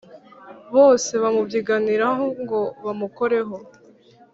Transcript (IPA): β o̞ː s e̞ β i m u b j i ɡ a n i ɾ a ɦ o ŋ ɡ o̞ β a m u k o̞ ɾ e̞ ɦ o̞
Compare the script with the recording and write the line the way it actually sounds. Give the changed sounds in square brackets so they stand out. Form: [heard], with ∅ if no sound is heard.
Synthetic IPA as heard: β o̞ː s e̞ β [a] m u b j i ɡ a n i ɾ a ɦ o ŋ ɡ o̞ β a m u k o̞ ɾ e̞ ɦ o̞